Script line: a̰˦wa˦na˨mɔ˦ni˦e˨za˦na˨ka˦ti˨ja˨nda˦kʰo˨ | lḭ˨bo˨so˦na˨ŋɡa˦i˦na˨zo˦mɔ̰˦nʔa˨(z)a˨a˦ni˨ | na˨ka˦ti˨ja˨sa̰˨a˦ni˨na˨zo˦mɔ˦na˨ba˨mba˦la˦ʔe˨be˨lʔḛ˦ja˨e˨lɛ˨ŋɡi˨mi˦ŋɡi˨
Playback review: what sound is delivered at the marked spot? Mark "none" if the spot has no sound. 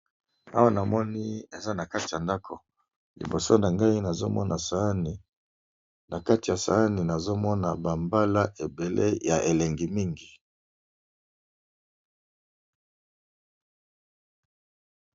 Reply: s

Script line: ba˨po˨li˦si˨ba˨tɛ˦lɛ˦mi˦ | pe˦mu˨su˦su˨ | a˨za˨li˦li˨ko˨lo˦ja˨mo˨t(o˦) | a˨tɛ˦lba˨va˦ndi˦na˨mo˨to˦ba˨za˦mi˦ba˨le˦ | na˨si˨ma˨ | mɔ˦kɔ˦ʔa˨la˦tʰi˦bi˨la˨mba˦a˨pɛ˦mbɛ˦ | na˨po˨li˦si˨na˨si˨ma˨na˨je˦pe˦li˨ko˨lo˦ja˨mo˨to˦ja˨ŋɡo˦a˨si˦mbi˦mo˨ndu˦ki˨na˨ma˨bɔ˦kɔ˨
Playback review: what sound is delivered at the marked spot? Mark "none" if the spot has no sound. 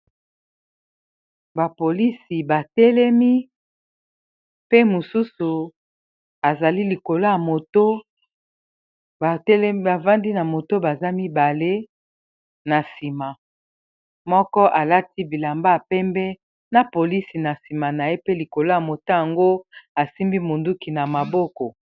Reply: o˦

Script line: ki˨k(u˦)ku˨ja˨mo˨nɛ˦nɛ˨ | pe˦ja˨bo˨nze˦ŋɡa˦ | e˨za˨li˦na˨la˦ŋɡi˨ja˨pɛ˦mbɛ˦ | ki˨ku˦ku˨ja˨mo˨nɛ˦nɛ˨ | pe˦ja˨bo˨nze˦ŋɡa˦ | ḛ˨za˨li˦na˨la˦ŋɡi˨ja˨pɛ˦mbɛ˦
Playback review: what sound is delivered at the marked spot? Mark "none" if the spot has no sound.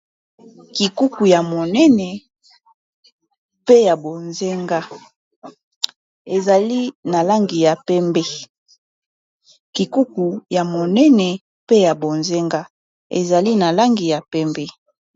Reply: u˦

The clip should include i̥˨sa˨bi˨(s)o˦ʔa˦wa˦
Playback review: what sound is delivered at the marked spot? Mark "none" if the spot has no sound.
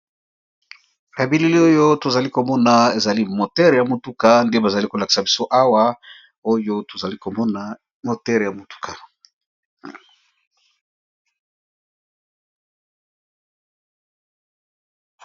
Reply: s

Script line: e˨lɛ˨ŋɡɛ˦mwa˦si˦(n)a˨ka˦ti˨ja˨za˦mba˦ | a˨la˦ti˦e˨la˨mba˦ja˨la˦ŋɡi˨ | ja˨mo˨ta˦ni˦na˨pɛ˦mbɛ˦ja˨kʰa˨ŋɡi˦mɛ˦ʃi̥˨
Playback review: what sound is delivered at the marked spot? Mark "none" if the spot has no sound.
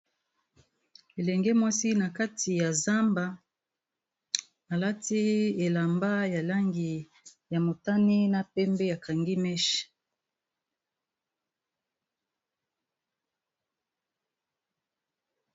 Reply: n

